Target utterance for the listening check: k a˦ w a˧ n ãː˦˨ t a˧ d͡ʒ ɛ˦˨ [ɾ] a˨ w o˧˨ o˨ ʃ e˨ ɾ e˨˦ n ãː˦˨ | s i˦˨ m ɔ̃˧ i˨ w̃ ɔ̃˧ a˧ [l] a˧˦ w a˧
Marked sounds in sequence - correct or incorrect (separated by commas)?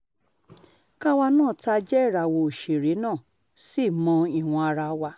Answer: correct, incorrect